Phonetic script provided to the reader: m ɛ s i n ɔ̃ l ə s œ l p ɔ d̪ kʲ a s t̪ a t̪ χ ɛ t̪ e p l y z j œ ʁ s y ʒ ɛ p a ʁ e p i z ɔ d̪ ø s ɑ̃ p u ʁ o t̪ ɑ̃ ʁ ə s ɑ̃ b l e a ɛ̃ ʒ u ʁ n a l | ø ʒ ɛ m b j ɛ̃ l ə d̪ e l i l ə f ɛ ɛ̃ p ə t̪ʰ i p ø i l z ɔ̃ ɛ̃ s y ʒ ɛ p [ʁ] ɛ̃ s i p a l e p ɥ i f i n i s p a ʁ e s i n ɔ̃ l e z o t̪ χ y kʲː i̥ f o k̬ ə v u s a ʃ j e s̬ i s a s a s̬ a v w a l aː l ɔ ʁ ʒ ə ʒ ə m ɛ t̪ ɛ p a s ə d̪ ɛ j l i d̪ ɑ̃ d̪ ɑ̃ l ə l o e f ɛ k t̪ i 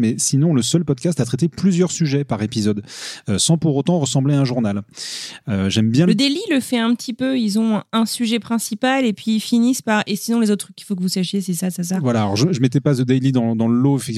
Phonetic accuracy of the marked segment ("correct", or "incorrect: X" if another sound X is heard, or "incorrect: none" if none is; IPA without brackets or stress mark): incorrect: χ